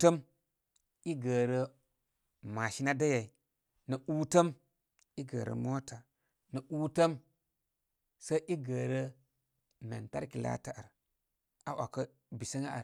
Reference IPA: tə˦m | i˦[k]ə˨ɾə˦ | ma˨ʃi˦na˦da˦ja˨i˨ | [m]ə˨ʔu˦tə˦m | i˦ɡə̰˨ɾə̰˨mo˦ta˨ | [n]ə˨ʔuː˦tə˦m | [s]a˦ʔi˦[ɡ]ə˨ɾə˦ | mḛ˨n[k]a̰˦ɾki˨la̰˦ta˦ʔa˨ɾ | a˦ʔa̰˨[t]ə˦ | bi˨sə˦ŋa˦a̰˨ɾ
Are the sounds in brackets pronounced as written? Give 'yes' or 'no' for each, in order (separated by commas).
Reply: no, no, yes, yes, yes, no, no